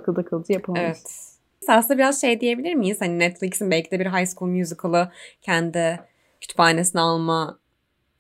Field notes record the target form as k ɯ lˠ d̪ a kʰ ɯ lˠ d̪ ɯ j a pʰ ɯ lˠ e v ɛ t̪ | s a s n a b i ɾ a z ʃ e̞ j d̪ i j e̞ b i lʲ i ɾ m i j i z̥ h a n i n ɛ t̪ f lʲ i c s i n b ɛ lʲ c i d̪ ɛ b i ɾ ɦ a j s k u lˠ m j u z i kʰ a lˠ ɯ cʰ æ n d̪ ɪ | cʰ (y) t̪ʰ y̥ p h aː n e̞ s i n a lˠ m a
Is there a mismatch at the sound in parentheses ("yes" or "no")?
no